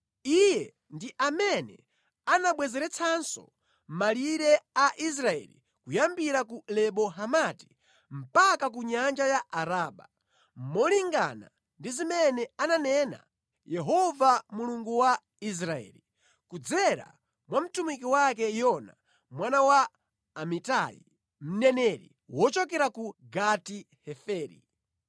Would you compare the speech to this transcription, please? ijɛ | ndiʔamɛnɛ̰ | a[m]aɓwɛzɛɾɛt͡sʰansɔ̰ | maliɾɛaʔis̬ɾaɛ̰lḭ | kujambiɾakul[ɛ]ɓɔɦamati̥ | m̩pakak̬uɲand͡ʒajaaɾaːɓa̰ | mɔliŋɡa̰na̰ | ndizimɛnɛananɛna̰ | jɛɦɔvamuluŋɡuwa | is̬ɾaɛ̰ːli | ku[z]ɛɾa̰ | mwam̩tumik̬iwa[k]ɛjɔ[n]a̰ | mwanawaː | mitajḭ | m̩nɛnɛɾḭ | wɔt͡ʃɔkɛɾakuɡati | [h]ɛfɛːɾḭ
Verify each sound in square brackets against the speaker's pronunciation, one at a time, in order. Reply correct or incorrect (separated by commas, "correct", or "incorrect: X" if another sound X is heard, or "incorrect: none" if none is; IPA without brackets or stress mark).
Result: incorrect: n, correct, incorrect: d͡z, correct, correct, correct